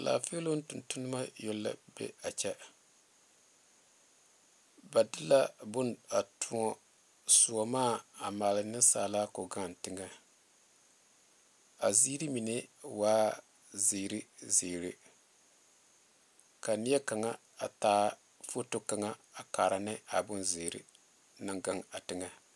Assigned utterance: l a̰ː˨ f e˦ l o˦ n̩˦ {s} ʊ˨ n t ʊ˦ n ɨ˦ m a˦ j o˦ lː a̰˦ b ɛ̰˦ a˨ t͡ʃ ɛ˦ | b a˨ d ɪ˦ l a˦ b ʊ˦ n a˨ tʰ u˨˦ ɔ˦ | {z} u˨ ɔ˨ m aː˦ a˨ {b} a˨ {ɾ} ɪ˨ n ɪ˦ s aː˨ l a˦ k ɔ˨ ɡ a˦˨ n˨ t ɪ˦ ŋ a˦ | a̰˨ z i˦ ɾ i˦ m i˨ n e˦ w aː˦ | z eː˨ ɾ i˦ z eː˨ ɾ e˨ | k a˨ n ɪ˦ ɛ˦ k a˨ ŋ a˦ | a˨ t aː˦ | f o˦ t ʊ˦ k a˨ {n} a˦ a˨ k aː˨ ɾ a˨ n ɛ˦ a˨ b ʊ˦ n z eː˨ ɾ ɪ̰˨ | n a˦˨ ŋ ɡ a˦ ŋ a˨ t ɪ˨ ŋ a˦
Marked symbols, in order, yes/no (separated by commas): no, no, no, no, no